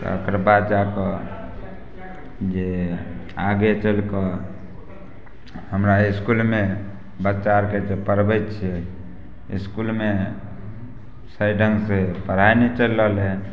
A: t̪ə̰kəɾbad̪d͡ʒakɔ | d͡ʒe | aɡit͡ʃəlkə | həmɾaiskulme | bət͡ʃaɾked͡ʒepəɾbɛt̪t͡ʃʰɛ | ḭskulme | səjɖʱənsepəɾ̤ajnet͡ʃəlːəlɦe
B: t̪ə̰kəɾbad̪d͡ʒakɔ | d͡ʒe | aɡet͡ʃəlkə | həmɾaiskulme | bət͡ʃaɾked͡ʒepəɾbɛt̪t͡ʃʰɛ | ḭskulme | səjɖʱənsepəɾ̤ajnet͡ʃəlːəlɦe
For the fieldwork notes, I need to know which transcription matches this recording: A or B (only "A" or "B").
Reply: B